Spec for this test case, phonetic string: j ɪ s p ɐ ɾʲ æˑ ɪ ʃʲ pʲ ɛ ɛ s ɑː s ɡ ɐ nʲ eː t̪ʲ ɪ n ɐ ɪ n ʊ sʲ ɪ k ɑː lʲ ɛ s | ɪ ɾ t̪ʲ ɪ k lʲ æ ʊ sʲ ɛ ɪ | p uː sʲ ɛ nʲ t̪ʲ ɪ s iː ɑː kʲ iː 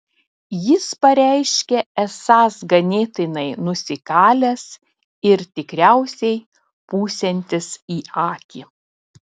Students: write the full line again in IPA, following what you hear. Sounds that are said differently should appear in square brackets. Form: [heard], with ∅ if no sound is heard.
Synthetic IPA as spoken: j ɪ s p ɐ ɾʲ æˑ ɪ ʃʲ [kʲ] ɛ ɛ s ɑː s ɡ ɐ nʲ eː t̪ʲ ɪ n ɐ ɪ n ʊ sʲ ɪ k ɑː lʲ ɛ s | ɪ ɾ t̪ʲ ɪ k [ɾʲ] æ ʊ sʲ ɛ ɪ | p uː sʲ ɛ nʲ t̪ʲ ɪ s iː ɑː kʲ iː

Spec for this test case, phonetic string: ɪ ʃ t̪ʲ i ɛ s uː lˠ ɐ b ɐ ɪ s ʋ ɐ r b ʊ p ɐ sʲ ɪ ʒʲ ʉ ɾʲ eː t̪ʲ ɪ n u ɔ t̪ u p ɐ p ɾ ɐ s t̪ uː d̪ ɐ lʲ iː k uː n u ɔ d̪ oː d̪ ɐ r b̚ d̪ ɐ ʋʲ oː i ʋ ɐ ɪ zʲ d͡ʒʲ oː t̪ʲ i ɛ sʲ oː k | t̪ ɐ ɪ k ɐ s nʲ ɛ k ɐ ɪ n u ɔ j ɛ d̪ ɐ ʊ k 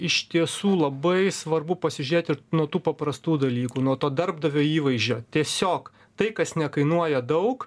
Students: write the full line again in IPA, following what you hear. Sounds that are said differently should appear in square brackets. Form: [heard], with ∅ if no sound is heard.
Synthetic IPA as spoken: ɪ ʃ t̪ʲ i ɛ s uː lˠ ɐ b ɐ ɪ s ʋ ɐ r b ʊ p ɐ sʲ ɪ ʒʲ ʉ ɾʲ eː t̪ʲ ɪ n u ɔ t̪ [uː] p ɐ p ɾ ɐ s t̪ uː d̪ ɐ lʲ iː k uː n u ɔ [t̪] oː d̪ ɐ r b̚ d̪ ɐ ʋʲ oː [iː] ʋ ɐ ɪ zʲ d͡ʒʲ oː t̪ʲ i ɛ sʲ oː k | t̪ ɐ ɪ k ɐ s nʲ ɛ k ɐ ɪ n u ɔ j ɛ d̪ ɐ ʊ k

